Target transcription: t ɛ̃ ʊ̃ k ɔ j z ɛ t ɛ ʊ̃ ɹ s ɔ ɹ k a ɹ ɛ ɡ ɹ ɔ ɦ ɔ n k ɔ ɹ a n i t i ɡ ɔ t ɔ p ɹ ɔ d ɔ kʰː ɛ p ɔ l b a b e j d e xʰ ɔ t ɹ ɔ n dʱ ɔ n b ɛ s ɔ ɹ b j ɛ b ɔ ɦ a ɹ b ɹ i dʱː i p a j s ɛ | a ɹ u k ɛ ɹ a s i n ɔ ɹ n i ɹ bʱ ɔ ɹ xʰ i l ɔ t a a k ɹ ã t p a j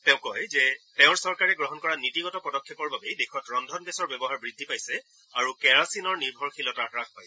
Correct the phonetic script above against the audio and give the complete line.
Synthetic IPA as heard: t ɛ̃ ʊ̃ k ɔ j z ɛ t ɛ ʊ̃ ɹ s ɔ ɹ k a ɹ ɛ ɡ ɹ ɔ ɦ ɔ n k ɔ ɹ a n i t i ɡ ɔ t ɔ p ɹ ɔ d ɔ kʰː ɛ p ɔ ɹ b a b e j d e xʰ ɔ t ɹ ɔ n dʱ ɔ n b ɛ s ɔ ɹ b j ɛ b ɔ ɦ a ɹ b ɹ i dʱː i p a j s ɛ | a ɹ u k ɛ ɹ a s i n ɔ ɹ n i ɹ bʱ ɔ ɹ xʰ i l ɔ t a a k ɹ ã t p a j